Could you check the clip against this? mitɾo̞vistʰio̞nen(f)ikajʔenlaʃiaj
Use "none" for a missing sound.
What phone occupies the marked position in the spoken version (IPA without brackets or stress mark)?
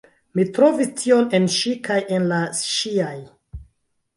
ʃ